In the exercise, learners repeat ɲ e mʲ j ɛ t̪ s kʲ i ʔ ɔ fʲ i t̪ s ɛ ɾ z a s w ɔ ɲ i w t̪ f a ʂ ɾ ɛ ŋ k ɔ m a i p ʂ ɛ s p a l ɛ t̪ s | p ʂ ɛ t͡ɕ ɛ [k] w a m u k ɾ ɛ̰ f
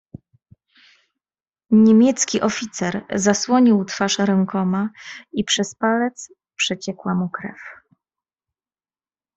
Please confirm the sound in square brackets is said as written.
yes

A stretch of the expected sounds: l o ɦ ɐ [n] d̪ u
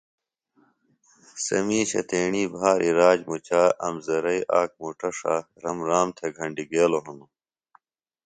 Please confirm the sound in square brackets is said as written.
yes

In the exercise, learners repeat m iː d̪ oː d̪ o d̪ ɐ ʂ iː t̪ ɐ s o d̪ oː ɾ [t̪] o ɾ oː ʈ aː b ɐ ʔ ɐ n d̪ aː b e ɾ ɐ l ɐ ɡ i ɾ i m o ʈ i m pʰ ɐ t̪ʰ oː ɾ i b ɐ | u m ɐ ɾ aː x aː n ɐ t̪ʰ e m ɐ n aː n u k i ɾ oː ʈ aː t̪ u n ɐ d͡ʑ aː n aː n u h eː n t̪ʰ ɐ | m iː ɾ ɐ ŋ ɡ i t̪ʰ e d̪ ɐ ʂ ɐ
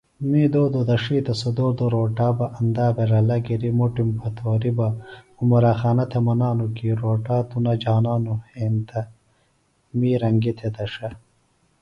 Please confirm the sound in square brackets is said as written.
no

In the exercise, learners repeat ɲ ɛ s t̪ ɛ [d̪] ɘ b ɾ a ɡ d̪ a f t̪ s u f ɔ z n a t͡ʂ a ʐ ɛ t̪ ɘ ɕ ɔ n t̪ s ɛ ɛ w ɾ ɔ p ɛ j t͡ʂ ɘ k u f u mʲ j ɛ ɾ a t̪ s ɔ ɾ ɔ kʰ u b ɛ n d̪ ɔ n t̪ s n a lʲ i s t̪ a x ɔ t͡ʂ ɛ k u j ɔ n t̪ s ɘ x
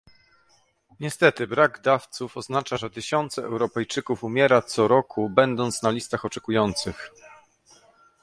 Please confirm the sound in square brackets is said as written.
no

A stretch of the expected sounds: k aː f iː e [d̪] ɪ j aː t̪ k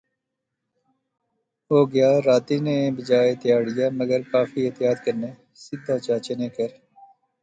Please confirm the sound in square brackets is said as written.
no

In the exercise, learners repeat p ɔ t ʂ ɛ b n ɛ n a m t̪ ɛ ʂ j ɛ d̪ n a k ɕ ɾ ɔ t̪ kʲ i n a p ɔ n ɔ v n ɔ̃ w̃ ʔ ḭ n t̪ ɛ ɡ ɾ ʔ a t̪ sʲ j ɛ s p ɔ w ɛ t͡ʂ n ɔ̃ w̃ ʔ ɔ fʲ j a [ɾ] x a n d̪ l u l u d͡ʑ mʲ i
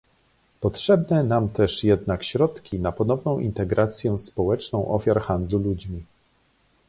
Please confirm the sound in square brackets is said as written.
yes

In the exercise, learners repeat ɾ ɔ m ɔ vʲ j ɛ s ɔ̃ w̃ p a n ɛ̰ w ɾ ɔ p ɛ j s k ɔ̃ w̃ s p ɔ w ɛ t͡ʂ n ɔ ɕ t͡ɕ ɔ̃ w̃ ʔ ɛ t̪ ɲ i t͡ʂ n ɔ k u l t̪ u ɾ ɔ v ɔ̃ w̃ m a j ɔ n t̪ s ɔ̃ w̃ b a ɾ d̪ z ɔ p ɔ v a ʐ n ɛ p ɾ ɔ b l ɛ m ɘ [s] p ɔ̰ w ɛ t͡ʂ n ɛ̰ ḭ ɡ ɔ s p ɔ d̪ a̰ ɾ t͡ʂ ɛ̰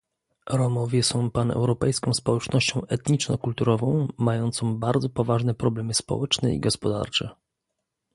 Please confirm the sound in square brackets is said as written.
yes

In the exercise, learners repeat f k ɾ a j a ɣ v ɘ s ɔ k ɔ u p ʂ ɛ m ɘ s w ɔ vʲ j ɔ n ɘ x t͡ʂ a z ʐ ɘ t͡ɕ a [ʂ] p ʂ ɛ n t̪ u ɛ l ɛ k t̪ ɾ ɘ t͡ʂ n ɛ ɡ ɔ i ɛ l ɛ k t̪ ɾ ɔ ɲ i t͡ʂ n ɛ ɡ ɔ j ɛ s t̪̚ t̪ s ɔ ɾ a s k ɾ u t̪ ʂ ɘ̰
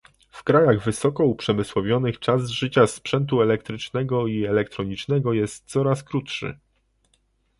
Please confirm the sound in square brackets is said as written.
no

